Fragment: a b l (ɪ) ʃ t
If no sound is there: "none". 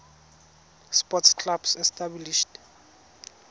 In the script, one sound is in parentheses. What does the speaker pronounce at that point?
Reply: i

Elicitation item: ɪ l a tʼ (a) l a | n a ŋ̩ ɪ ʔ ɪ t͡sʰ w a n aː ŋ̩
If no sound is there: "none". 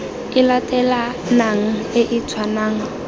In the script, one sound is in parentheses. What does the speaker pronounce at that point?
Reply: ɛ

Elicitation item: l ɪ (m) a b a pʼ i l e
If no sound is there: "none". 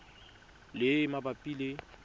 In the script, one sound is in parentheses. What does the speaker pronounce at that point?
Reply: m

